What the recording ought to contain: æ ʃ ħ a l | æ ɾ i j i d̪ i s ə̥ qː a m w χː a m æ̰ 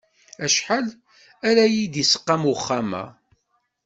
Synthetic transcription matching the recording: æ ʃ ħ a l | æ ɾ æ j i d̪ i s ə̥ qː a m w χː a m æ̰